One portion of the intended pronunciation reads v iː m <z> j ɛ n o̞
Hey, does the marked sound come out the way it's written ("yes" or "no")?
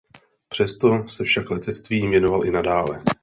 no